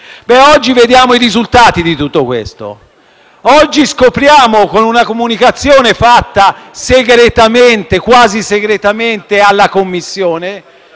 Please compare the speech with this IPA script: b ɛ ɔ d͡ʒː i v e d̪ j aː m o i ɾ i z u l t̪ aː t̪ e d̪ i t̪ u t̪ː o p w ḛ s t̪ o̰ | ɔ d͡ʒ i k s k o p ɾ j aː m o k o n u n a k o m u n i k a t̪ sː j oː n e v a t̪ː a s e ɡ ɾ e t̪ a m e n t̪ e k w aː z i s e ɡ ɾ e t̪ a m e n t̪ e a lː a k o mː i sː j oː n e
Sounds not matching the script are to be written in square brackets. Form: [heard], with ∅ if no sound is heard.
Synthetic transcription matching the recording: b ɛ ɔ d͡ʒː i v e d̪ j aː m o i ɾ i z u l t̪ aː t̪ [i] d̪ i t̪ u t̪ː o [k] w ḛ s t̪ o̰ | ɔ [d͡ʒː] i [∅] s k o p ɾ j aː m o k o n u n a k o m u n i k a t̪ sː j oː n e [f] a t̪ː a s e ɡ ɾ e t̪ a m e n t̪ e k w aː z i s e ɡ ɾ e t̪ a m e n t̪ e a lː a k o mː i sː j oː n e